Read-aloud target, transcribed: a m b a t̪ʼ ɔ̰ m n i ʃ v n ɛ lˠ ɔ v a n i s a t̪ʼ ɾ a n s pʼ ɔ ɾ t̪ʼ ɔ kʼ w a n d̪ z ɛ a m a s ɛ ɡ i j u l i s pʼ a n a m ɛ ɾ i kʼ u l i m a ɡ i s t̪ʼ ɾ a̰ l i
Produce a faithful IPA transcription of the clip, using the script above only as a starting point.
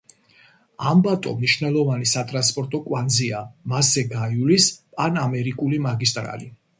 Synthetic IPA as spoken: a m b a t̪ʼ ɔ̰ m n i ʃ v n ɛ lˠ ɔ v a n i s a t̪ʼ ɾ a n s pʼ ɔ ɾ t̪ʼ ɔ kʼ w a n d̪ z i a m a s ɛ ɡ a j u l i s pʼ a n a m ɛ ɾ i kʼ u l i m a ɡ i s t̪ʼ ɾ a̰ l i